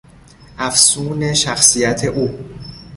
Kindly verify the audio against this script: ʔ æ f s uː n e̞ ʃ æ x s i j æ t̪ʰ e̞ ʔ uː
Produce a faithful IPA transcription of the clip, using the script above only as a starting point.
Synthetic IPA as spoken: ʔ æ f s uː n e̞ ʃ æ x s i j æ t̪ʰ e̞ ʔ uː

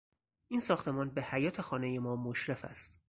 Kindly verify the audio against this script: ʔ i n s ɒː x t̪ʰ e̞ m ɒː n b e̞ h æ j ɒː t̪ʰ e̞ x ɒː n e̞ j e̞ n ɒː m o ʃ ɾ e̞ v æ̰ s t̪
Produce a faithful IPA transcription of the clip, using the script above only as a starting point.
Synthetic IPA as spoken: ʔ i n s ɒː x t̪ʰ e̞ m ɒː n b e̞ h æ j ɒː t̪ʰ e̞ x ɒː n e̞ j e̞ m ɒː m o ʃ ɾ e̞ f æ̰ s t̪

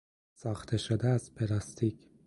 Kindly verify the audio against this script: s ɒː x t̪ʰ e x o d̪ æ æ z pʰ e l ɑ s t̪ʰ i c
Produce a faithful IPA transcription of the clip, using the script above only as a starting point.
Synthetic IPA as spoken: s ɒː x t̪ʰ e ʃ o d̪ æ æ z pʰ e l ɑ s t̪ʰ i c

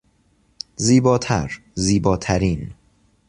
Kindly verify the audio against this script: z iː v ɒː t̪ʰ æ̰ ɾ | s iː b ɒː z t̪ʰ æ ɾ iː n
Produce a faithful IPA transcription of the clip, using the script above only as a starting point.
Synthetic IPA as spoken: z iː b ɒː t̪ʰ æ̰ ɾ | z iː b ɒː t̪ʰ æ ɾ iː n

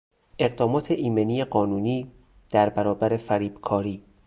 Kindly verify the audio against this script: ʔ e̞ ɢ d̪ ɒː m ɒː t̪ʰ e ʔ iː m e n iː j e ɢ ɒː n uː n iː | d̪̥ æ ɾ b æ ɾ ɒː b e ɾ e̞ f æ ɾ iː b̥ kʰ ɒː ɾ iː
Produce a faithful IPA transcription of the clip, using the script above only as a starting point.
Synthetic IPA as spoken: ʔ e̞ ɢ d̪ ɒː m ɒː t̪ʰ e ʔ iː m e n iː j e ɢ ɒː n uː n iː | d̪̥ æ ɾ b æ ɾ ɒː b æ ɾ e̞ f æ ɾ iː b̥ kʰ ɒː ɾ iː

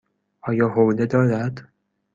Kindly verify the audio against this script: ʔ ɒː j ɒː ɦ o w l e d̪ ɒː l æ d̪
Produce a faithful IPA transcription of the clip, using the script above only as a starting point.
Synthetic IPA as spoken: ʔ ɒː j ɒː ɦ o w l e d̪ ɒː ɾ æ d̪

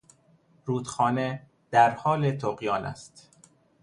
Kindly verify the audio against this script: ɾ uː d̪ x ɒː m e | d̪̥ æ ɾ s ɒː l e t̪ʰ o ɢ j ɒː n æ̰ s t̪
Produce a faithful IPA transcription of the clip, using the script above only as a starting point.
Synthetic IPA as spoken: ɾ uː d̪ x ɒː n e | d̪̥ æ ɾ h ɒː l e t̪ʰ o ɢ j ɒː n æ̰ s t̪

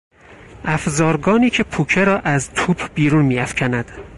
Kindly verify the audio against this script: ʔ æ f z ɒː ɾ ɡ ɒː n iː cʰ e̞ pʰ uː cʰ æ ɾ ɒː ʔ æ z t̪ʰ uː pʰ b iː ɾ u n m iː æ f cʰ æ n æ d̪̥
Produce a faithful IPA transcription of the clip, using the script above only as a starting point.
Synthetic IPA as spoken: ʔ æ f z ɒː ɾ ɡ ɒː n iː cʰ e̞ pʰ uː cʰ e ɾ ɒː ʔ æ z t̪ʰ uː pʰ b iː ɾ u n m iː æ f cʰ æ n æ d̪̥

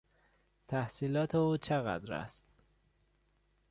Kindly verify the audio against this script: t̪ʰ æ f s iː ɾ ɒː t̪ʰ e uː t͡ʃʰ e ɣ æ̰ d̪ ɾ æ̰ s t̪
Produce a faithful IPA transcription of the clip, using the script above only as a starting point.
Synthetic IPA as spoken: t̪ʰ æ h s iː l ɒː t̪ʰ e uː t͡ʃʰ e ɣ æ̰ d̪ ɾ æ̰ s t̪

